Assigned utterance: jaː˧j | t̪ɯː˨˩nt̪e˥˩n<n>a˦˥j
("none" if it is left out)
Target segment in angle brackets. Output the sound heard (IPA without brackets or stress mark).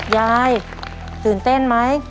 m